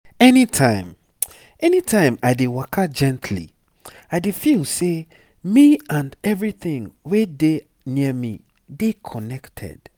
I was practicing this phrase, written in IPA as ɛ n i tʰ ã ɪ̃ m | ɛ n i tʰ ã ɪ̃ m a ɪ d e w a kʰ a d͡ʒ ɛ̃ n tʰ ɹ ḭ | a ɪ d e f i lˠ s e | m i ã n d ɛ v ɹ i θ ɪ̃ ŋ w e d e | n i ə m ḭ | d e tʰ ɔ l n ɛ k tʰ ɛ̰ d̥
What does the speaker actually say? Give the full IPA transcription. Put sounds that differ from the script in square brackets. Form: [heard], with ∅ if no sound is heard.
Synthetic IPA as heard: ɛ n i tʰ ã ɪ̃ m | ɛ n i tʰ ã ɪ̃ m a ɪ d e w a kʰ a d͡ʒ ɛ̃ n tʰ [l] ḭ | a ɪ d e f i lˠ s e | m i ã n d ɛ v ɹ i θ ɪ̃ ŋ w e d e | n i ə m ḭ | d e [kʰ] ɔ [∅] n ɛ k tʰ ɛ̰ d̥